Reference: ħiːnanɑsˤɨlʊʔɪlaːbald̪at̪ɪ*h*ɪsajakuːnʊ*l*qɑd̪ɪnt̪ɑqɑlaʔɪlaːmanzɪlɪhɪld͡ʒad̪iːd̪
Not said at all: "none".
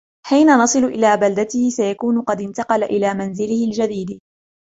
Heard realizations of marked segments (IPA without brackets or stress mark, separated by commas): h, none